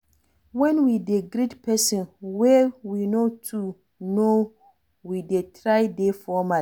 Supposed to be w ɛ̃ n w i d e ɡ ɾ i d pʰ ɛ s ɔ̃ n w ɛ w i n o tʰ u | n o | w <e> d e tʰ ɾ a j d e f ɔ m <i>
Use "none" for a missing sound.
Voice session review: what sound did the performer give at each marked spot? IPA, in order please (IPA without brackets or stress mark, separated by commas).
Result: i, a